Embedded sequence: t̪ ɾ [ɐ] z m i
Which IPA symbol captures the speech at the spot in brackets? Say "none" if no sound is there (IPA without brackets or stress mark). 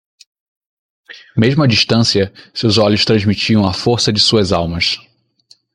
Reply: ɐ̃